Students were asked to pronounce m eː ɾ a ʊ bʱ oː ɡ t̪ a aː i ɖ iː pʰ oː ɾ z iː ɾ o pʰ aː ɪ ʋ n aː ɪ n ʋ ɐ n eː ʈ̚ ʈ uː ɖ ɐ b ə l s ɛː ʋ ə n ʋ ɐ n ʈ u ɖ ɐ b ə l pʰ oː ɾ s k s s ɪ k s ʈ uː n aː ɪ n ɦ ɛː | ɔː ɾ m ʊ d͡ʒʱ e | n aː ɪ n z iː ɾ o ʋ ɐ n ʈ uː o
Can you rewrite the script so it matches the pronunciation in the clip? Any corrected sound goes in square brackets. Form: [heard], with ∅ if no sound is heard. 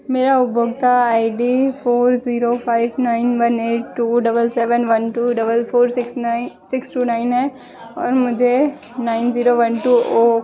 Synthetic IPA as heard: m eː ɾ a ʊ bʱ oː ɡ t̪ a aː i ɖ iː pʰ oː ɾ z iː ɾ o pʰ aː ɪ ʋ n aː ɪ n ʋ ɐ n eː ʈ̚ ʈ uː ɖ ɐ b ə l s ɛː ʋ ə n ʋ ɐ n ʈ u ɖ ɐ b ə l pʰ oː ɾ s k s s ɪ k s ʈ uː n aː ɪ n ɦ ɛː | ɔː ɾ m ʊ d͡ʒʱ e | n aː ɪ n z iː ɾ o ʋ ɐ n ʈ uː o